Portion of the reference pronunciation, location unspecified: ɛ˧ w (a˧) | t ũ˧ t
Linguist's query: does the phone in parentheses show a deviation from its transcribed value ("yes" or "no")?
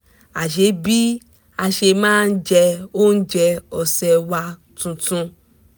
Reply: no